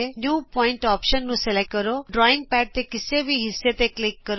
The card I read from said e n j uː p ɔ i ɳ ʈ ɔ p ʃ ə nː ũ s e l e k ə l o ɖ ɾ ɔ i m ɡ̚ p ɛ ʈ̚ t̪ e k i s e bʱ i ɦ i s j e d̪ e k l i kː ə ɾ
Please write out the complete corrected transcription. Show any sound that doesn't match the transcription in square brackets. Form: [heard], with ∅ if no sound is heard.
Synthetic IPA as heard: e n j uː p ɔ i ɳ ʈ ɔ p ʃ ə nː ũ s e l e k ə [ɾ] o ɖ ɾ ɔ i [ŋ] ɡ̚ p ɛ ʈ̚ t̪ e k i s e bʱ i ɦ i s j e [t̪] e k l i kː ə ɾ